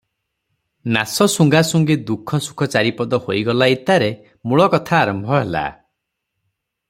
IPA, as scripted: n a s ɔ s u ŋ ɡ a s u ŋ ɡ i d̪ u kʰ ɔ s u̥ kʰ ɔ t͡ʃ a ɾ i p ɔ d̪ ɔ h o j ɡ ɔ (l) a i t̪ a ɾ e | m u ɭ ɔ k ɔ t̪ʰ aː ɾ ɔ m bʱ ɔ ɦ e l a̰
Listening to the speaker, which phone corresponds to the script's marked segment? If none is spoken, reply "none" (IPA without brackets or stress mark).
l